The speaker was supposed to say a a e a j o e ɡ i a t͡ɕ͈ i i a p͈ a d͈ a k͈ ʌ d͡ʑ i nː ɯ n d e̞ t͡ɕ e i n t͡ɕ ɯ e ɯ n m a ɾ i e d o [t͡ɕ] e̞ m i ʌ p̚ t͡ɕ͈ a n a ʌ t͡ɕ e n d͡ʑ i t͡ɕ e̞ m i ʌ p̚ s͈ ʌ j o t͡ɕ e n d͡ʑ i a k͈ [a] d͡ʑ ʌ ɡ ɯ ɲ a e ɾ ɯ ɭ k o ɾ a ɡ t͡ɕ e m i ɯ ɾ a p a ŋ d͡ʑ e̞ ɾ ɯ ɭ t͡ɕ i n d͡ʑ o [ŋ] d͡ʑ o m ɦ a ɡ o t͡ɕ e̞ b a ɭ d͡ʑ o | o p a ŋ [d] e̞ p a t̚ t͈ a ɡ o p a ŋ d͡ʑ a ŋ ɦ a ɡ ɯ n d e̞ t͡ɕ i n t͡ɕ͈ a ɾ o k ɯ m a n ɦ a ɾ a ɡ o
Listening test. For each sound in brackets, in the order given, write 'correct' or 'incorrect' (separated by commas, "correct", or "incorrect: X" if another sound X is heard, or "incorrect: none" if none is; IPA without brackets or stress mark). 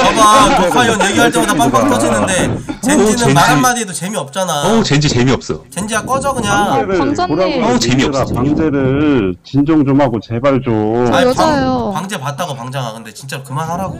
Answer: correct, incorrect: ʌ, correct, incorrect: d͡ʑ